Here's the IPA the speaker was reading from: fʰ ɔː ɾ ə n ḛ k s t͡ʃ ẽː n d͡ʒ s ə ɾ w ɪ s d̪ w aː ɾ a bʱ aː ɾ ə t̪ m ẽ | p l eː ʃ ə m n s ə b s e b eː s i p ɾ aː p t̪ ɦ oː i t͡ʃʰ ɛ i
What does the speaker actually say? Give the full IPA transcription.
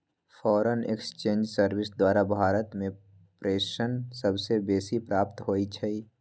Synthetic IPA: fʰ ɔː ɾ ə n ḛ k s t͡ʃ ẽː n d͡ʒ s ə ɾ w ɪ s d̪ w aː ɾ a bʱ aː ɾ ə t̪ m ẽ | p ɾ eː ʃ ə n s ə b s e b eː s i p ɾ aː p t̪ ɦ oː i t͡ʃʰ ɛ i